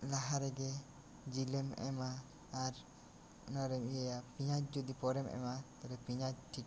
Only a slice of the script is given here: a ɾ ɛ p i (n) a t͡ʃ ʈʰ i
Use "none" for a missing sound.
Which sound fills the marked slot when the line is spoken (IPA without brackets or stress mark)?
ɲ